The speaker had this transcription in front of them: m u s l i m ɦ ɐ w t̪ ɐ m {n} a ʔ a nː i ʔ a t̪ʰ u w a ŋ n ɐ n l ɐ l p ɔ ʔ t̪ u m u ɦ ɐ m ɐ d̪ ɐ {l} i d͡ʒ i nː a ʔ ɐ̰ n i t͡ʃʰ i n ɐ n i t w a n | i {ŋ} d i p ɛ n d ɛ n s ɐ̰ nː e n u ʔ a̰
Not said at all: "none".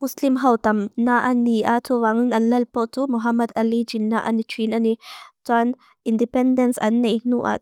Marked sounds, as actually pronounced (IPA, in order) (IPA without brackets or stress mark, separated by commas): n, l, n